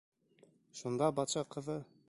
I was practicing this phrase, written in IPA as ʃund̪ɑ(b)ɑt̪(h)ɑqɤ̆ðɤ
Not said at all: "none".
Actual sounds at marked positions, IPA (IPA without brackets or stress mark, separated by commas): b, ʃ